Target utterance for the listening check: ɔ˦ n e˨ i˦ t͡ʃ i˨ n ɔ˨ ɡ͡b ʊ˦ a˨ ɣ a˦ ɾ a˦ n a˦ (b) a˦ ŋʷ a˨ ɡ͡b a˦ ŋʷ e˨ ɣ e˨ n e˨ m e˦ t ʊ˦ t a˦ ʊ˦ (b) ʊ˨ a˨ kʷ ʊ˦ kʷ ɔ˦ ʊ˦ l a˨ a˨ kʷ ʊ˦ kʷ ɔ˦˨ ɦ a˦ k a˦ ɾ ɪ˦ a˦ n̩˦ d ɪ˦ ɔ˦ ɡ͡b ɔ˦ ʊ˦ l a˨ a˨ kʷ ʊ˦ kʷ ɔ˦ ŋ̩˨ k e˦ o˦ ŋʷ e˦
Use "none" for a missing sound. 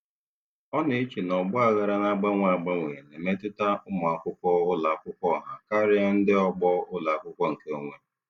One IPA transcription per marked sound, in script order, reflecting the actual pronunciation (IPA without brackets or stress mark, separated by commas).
ɡ͡b, m